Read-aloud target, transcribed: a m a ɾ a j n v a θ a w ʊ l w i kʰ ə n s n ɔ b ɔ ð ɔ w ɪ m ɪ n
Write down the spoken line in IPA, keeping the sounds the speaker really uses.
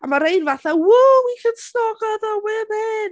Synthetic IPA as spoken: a m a ɾ e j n v a θ a w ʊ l w i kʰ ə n s n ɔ ɡ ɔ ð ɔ w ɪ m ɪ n